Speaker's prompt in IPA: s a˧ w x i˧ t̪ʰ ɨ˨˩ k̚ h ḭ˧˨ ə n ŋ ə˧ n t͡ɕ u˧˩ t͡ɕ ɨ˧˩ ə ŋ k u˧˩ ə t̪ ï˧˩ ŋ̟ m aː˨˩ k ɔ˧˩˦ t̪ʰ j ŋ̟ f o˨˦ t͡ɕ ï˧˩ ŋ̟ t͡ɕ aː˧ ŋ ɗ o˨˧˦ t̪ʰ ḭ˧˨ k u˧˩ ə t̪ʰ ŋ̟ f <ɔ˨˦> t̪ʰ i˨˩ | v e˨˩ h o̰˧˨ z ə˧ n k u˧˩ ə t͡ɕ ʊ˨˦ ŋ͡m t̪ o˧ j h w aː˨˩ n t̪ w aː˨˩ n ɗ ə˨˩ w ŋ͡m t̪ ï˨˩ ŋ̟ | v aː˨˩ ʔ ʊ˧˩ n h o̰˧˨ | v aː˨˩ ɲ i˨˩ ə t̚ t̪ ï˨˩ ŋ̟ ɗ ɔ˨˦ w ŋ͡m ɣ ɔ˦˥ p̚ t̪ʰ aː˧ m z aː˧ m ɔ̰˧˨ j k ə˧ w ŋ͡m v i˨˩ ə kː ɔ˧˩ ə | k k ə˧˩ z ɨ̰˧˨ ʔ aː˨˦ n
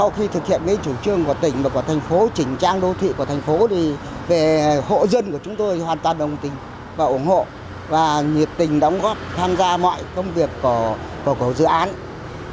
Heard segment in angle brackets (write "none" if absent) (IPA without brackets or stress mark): o˨˦